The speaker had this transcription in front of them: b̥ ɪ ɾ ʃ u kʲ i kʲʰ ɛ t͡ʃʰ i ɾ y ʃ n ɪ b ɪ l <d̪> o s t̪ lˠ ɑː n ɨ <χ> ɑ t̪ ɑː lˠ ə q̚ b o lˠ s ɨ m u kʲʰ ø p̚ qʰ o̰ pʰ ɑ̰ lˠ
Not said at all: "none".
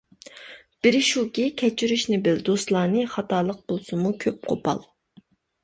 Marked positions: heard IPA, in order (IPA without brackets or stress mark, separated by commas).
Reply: d̪, χ